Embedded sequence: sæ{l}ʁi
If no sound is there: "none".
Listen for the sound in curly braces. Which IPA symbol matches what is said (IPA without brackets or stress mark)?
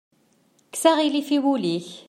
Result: none